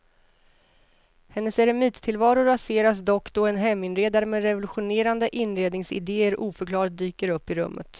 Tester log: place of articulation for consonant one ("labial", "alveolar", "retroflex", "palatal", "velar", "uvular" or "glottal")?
glottal